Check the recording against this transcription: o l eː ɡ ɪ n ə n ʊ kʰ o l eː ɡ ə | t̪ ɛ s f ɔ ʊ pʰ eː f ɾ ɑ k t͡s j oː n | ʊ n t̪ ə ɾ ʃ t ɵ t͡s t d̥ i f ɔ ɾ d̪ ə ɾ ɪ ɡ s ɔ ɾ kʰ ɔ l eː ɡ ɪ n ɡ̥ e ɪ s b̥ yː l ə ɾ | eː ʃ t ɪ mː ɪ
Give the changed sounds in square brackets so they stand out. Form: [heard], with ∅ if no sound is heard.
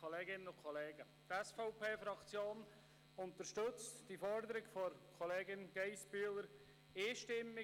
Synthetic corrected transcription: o l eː ɡ ɪ n ə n ʊ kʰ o l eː ɡ ə | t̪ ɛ s f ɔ ʊ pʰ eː f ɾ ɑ k t͡s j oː n | ʊ n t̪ ə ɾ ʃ t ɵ t͡s t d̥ i f ɔ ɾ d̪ ə ɾ ɪ ɡ [f] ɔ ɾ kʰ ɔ l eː ɡ ɪ n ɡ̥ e ɪ s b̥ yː l ə ɾ | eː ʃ t ɪ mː ɪ